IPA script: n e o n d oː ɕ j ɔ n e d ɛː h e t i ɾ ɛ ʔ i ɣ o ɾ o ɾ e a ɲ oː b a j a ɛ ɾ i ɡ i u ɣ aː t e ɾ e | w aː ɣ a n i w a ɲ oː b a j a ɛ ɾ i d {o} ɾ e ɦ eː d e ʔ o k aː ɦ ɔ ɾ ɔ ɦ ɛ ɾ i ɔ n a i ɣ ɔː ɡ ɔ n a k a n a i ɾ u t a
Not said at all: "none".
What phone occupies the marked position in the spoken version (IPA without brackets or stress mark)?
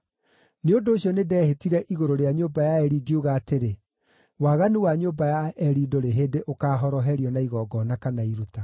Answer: o